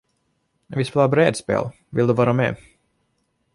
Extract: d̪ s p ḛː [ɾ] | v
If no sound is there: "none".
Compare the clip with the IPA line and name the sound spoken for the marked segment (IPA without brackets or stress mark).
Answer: l